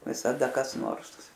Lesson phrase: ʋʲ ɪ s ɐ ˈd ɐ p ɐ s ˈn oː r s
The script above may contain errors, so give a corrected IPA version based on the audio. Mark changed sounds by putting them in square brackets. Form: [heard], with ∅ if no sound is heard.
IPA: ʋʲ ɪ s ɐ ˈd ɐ [k] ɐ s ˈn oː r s